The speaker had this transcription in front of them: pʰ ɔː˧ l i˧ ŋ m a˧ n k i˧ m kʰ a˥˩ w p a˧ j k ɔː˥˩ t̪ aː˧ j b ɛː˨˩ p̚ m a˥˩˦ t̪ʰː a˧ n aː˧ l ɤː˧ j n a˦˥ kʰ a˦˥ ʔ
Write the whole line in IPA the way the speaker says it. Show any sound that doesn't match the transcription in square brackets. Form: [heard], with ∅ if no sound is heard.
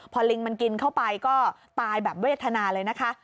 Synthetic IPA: pʰ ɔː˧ l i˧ ŋ m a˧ n k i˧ [n] kʰ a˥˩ w p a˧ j k ɔː˥˩ t̪ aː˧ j b ɛː˨˩ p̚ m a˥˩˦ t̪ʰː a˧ n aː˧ l ɤː˧ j n a˦˥ kʰ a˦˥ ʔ